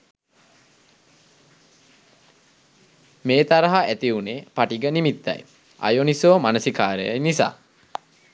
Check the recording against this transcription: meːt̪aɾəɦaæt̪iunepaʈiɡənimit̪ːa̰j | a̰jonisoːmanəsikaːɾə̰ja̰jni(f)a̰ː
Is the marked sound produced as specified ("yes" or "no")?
no